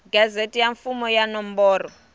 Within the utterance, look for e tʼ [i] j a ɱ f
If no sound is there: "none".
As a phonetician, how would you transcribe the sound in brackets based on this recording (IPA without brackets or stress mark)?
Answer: i